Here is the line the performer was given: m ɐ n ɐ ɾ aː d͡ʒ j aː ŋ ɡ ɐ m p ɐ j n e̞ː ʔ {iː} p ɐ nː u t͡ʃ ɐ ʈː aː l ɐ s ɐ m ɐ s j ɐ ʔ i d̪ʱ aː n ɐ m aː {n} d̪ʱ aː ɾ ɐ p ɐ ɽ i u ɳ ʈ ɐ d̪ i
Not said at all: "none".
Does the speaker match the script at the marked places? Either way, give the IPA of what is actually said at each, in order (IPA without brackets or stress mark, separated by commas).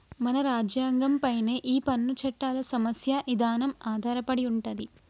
iː, none